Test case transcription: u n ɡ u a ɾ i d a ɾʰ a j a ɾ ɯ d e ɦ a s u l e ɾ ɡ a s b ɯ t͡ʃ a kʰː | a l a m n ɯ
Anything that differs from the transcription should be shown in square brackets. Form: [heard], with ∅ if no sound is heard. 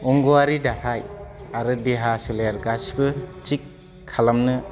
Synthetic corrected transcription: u [ŋ] ɡ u a ɾ i d a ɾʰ a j a ɾ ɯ d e ɦ a s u l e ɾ ɡ a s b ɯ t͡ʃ [i] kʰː | a l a m n ɯ

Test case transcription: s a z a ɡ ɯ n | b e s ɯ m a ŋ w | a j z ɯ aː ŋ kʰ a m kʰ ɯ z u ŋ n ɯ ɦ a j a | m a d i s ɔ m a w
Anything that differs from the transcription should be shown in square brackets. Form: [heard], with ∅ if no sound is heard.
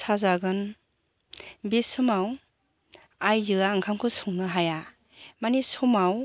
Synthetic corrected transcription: s a z a ɡ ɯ n | b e s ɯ m a [∅] w | a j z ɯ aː ŋ kʰ a m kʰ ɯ [s] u ŋ n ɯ ɦ a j a | m a [n] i s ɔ m a w

